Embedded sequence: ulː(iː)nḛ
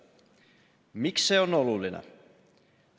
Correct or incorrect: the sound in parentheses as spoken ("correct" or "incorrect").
incorrect